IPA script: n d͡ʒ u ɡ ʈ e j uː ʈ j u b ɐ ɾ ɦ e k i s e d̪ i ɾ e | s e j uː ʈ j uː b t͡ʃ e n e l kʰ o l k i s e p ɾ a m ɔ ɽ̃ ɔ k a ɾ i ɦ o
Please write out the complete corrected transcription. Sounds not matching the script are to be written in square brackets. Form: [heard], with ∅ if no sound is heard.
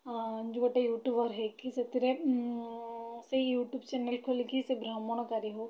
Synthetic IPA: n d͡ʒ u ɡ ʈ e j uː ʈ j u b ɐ ɾ ɦ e k i s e [t̪] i ɾ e | s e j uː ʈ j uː b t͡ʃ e n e l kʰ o l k i s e [b] ɾ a m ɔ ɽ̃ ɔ k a ɾ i ɦ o

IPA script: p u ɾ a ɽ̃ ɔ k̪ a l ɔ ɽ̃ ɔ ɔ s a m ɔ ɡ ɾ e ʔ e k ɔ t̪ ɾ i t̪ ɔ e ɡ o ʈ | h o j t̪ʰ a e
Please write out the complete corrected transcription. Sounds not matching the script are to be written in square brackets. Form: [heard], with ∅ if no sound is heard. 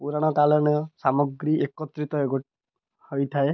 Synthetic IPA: p u ɾ a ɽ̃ ɔ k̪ a l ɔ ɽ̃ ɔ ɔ s a m ɔ ɡ ɾ [i] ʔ e k ɔ t̪ ɾ i t̪ ɔ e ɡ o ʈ | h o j t̪ʰ a e

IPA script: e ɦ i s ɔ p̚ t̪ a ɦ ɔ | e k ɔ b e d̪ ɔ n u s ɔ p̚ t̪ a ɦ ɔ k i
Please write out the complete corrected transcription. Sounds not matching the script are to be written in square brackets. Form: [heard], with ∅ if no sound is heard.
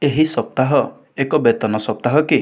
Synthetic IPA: e ɦ i s ɔ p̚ t̪ a ɦ ɔ | e k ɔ b e [t̪] ɔ n [ɔ] s ɔ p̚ t̪ a ɦ ɔ k i

